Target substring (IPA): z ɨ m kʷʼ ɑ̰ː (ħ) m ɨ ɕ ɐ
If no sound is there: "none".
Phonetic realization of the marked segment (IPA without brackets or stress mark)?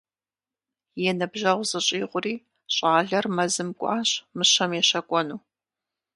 ɕ